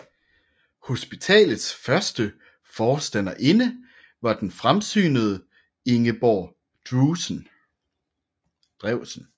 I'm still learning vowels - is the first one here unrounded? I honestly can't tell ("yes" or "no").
no